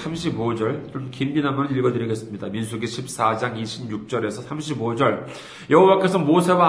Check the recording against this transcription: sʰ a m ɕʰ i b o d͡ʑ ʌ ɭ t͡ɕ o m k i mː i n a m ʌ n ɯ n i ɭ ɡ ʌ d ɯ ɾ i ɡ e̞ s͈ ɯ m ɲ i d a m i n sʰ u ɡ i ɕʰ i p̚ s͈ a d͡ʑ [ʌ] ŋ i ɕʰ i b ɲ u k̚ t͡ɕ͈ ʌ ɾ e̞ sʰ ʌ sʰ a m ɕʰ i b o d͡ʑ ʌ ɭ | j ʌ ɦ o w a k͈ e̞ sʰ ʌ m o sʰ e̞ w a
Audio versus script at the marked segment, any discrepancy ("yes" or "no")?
yes